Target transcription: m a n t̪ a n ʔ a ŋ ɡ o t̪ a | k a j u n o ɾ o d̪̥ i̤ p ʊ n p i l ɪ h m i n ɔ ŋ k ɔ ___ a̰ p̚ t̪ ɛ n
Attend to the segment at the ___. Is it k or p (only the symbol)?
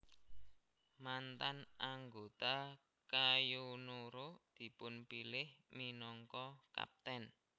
k